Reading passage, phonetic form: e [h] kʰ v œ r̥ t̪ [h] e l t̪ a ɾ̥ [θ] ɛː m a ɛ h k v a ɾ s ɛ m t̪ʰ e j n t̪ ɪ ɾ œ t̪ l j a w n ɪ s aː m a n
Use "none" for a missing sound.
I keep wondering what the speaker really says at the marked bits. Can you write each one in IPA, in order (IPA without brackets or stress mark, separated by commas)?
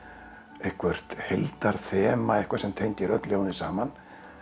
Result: h, h, θ